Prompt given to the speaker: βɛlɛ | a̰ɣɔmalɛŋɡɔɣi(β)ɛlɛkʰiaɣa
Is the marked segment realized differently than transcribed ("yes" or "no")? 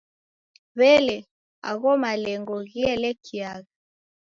yes